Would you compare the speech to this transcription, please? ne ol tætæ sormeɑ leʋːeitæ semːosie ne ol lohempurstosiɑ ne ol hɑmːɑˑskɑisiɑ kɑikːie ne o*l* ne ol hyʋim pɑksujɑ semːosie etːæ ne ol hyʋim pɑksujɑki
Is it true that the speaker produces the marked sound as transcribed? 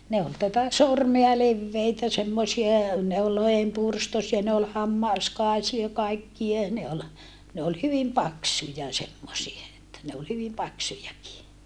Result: yes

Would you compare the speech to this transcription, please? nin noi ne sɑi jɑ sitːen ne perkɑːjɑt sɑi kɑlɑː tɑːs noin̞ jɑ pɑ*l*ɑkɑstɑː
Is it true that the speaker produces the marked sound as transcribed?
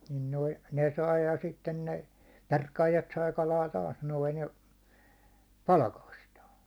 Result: yes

